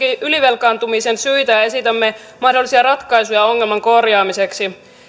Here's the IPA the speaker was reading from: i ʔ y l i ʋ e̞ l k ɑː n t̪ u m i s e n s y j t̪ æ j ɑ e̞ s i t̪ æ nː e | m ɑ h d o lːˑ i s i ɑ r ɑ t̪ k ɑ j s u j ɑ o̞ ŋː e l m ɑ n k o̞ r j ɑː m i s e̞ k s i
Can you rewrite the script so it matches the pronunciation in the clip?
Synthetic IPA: i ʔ y l i ʋ e̞ l k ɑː n t̪ u m i s e n s y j t̪ æ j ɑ e̞ s i t̪ æ mː e | m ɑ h d o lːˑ i s i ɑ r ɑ t̪ k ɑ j s u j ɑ o̞ ŋː e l m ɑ ŋ k o̞ r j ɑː m i s e̞ k s i